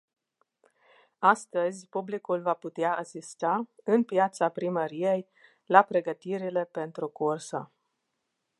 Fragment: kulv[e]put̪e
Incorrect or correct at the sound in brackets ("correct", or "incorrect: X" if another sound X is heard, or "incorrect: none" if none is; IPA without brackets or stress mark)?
incorrect: a